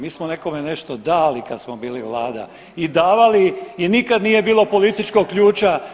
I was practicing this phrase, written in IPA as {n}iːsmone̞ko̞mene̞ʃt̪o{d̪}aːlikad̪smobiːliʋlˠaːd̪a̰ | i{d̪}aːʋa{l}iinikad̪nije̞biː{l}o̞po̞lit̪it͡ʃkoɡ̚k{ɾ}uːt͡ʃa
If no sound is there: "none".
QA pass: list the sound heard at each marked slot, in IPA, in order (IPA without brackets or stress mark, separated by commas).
m, d̪, d̪, l, l, ʎ